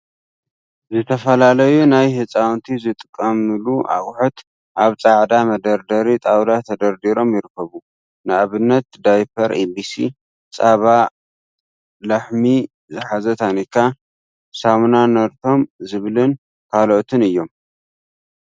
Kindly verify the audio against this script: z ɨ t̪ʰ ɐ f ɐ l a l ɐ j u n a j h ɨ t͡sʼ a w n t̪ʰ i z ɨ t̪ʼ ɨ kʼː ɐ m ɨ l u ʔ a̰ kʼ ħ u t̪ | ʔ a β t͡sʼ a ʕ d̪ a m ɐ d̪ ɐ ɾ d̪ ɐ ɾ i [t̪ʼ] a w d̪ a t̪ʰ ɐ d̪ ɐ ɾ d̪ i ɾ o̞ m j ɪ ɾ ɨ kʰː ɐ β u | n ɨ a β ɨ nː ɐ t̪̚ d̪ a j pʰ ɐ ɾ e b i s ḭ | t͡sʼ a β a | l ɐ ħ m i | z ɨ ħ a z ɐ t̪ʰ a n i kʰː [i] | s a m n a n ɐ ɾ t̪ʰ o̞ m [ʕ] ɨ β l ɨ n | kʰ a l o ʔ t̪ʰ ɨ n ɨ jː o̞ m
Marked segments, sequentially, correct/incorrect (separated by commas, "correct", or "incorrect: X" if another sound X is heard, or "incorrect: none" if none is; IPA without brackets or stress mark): correct, incorrect: a, incorrect: z